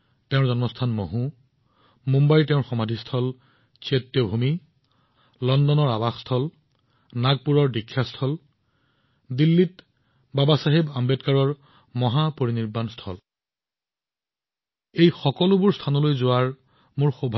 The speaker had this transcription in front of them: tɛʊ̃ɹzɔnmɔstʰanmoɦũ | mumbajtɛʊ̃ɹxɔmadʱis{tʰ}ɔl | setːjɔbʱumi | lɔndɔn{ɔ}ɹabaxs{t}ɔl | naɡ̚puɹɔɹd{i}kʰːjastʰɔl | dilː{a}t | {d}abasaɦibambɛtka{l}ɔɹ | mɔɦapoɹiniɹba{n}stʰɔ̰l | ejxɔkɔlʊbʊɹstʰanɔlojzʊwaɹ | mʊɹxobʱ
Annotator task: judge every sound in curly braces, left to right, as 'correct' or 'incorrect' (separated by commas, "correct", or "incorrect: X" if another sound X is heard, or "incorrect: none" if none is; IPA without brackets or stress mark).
correct, correct, incorrect: tʰ, correct, incorrect: i, incorrect: b, incorrect: ɹ, correct